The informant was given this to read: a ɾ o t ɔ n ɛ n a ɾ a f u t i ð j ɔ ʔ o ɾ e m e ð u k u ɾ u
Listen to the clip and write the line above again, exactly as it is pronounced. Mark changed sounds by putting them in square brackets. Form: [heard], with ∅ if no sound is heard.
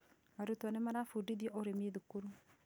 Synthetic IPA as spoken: a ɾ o t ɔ n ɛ [m] a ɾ a f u [d] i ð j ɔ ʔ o ɾ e m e ð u k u ɾ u